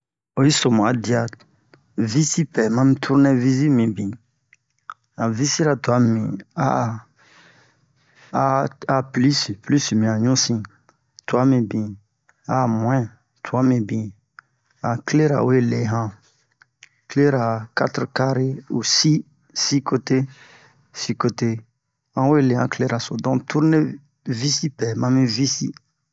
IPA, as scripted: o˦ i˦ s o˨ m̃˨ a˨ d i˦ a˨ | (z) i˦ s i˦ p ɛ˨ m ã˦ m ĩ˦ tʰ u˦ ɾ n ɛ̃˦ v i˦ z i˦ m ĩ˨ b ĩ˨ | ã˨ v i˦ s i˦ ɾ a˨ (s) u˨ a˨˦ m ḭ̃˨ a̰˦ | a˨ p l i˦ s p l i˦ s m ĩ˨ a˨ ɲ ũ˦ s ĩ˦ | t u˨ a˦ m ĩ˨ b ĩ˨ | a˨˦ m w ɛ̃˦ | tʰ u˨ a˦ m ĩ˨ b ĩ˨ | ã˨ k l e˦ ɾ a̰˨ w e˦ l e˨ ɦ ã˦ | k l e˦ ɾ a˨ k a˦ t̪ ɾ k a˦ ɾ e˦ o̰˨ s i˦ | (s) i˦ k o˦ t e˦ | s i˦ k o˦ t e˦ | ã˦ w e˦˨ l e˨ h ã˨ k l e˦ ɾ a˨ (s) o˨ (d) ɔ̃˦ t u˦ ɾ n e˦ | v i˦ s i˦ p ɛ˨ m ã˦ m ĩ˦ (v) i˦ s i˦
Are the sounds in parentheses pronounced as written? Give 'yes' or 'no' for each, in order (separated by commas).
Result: no, no, yes, yes, yes, yes